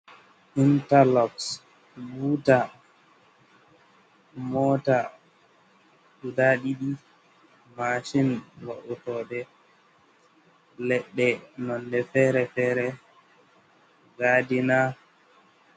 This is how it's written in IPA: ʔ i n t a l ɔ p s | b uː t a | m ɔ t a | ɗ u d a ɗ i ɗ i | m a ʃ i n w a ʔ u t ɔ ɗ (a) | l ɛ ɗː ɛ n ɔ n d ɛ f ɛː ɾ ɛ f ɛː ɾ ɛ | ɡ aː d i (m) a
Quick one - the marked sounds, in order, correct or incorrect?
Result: incorrect, incorrect

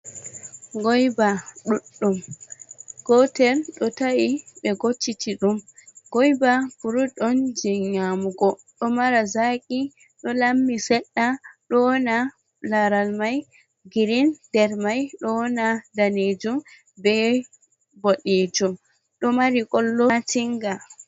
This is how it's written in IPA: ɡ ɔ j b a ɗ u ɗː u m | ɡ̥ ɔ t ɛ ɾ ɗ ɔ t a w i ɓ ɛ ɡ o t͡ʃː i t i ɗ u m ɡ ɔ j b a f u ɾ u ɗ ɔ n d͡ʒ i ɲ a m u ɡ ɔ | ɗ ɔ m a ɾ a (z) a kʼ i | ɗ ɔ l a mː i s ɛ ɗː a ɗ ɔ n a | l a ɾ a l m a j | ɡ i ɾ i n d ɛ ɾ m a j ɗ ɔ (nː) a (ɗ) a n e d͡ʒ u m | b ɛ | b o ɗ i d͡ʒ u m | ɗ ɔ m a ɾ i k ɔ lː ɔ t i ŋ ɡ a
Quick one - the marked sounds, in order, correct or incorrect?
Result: correct, incorrect, incorrect

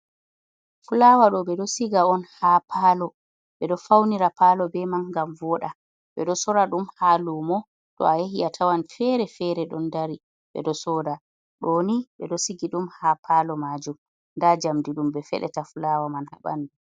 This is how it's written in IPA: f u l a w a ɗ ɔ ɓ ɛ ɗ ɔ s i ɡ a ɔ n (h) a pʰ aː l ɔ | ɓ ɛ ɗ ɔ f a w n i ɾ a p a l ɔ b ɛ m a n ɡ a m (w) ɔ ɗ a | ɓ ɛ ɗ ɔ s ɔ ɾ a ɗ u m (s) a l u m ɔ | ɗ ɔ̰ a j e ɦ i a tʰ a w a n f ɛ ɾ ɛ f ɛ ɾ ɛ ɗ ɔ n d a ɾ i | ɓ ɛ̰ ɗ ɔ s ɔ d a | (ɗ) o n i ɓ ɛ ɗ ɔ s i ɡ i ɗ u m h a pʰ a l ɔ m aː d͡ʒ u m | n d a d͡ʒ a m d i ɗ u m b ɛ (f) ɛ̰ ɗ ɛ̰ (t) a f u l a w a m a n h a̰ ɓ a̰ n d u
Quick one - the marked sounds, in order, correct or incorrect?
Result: correct, incorrect, incorrect, correct, correct, correct

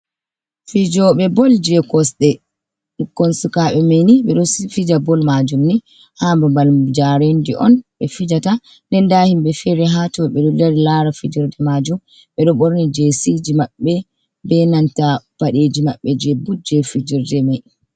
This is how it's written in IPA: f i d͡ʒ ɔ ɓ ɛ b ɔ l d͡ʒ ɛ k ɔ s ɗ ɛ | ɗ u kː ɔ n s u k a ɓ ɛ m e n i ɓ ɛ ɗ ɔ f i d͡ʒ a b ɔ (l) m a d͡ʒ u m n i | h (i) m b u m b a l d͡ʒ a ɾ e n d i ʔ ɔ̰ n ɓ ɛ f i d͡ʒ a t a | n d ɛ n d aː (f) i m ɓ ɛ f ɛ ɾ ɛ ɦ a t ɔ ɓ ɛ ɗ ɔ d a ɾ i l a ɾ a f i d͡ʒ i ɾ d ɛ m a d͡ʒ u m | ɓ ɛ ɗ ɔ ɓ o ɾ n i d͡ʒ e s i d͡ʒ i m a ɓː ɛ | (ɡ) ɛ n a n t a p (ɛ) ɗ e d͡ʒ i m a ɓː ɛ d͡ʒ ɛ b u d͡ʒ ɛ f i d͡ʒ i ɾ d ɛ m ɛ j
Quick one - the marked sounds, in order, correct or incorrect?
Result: correct, incorrect, incorrect, incorrect, incorrect

